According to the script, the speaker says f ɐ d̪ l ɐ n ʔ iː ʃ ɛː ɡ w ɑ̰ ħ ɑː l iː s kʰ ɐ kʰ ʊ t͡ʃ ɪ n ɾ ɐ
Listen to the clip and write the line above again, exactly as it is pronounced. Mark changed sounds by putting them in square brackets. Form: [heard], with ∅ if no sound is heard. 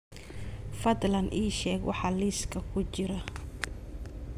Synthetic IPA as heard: f ɐ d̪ l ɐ n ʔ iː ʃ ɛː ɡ w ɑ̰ ħ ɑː l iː s kʰ ɐ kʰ ʊ t͡ʃ ɪ [∅] ɾ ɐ